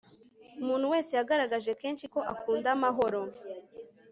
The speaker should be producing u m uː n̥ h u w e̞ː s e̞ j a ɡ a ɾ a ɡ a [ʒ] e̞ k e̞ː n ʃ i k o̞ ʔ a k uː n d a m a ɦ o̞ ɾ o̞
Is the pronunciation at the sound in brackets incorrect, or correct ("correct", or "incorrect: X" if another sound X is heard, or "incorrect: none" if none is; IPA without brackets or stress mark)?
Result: correct